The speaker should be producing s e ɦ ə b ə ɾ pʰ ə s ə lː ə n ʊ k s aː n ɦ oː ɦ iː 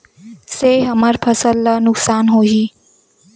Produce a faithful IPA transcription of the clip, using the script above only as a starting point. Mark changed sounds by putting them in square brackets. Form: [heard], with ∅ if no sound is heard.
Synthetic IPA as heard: s e ɦ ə [m] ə ɾ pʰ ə s ə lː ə n ʊ k s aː n ɦ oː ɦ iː